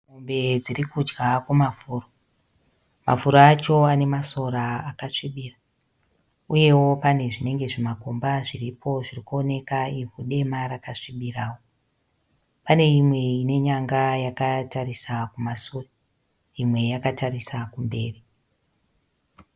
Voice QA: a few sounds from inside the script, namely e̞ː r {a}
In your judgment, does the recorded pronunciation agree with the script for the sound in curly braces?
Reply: no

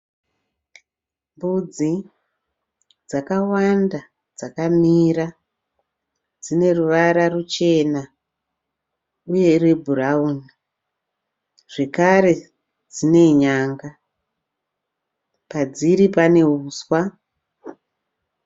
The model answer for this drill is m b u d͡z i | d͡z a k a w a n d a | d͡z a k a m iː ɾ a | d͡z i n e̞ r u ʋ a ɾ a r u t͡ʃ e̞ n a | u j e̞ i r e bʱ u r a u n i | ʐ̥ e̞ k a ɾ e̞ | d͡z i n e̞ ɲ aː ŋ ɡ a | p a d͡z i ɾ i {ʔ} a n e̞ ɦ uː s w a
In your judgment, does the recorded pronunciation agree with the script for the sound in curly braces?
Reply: no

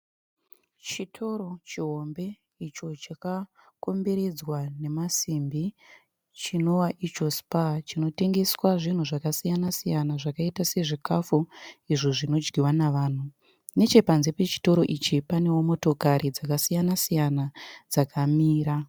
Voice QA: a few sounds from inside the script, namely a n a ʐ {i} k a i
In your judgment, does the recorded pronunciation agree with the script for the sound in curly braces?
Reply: no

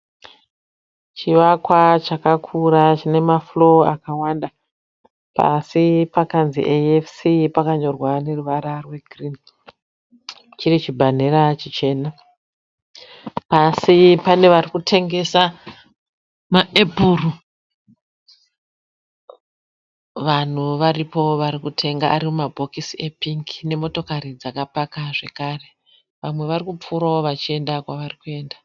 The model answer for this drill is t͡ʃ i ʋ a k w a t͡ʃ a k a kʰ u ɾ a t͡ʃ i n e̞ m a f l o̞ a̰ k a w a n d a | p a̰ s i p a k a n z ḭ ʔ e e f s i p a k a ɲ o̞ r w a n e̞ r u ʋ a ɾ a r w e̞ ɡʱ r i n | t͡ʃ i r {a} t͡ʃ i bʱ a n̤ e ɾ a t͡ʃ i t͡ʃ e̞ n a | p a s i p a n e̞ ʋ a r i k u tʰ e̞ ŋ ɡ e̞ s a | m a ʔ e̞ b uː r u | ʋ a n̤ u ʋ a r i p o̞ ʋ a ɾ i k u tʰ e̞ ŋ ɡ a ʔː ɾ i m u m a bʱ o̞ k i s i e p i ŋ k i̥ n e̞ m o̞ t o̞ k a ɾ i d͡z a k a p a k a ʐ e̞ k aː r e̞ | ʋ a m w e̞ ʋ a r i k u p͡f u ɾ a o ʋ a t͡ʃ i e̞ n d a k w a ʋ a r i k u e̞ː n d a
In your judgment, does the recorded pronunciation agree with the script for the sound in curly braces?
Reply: no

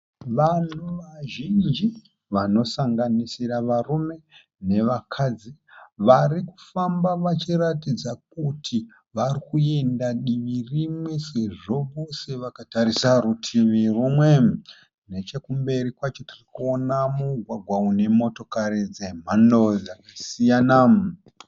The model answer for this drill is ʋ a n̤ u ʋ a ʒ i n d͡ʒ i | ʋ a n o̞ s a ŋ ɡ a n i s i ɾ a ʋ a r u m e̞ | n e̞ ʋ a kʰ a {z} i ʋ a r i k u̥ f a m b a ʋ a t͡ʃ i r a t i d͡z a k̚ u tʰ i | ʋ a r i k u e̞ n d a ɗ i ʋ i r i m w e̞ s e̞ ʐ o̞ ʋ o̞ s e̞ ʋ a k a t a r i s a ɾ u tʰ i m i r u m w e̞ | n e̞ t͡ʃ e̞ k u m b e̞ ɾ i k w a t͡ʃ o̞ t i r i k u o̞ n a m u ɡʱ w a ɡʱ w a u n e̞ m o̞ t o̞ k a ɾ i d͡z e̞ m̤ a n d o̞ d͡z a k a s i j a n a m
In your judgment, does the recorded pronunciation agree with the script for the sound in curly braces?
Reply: no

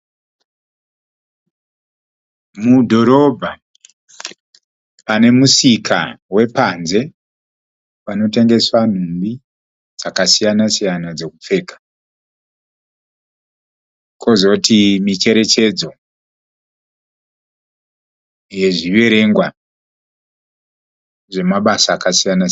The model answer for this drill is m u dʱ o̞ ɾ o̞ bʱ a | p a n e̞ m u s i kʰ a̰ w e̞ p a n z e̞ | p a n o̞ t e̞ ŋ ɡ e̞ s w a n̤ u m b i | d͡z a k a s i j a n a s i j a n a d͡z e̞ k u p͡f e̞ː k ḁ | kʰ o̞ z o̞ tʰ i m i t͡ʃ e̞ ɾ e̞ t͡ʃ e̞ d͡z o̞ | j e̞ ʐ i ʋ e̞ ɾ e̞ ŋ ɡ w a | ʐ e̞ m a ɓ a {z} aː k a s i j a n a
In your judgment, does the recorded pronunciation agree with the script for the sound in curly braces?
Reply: no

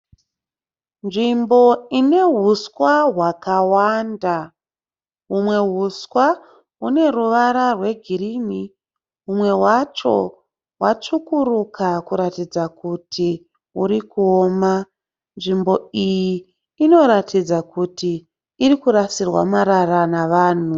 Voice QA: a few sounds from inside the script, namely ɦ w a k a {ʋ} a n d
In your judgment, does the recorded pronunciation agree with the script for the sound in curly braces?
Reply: no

